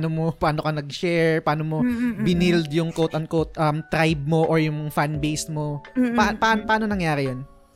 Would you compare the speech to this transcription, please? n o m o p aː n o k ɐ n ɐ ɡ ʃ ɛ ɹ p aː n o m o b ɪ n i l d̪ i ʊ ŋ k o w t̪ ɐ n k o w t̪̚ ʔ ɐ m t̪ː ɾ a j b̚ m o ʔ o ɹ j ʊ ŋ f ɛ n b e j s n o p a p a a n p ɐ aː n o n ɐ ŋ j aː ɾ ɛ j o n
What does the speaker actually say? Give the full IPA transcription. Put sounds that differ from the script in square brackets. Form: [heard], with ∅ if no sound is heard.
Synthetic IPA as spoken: n o m o p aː n o k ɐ n ɐ ɡ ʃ ɛ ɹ p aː n o m o b ɪ n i l d̪ [j] ʊ ŋ k o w t̪ ɐ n k o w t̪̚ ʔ ɐ m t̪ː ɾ a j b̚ m o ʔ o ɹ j ʊ ŋ f [a] n b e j s [m] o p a p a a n p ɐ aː n o n ɐ ŋ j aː ɾ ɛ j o n